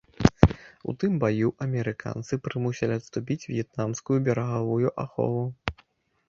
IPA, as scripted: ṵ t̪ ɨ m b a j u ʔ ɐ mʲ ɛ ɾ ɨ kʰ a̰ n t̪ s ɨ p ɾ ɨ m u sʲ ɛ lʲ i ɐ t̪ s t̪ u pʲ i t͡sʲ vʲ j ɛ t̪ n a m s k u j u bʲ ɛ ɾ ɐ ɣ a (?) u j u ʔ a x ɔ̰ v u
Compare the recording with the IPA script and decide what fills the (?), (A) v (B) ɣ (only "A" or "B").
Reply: A